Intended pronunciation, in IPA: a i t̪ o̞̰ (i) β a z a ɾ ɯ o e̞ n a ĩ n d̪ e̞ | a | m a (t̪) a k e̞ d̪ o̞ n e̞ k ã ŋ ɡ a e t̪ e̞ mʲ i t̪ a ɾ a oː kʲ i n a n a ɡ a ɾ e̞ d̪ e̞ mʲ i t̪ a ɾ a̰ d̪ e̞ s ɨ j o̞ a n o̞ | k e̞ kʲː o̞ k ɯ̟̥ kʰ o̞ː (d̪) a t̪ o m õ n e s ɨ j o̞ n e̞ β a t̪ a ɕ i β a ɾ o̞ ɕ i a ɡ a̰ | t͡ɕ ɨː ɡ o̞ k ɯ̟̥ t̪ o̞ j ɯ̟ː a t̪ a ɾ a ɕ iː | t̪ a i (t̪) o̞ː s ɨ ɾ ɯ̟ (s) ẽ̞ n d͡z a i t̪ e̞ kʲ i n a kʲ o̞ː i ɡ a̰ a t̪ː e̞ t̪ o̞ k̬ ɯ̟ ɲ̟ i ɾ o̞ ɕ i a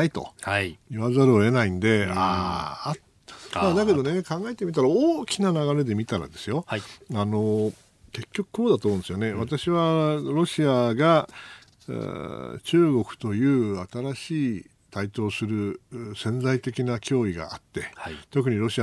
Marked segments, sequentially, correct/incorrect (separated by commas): correct, incorrect, correct, correct, correct